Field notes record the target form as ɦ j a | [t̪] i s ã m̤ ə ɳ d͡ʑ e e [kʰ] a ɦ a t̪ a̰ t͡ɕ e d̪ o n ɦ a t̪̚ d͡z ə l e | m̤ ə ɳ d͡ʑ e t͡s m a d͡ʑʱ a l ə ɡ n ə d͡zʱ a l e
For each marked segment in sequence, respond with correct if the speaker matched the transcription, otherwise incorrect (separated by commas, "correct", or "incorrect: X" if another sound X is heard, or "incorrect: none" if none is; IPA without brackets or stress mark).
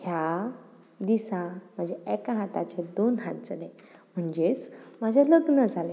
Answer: incorrect: d̪, incorrect: k